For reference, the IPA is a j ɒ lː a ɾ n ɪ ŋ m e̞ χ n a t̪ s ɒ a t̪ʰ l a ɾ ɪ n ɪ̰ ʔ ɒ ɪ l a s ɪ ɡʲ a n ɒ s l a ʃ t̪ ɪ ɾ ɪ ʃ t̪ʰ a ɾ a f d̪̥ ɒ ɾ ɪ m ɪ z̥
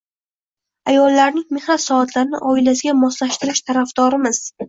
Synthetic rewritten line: a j ɒ lː a ɾ n ɪ ŋ m e̞ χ n a t̪ s ɒ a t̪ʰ l a ɾ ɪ n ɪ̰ ʔ ɒ ɪ l a s ɪ ɡʲ a m ɒ s l a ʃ t̪ ɪ ɾ ɪ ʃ t̪ʰ a ɾ a f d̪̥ ɒ ɾ ɪ m ɪ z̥